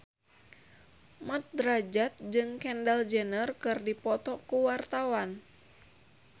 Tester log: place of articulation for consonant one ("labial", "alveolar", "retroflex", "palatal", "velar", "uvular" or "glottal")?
labial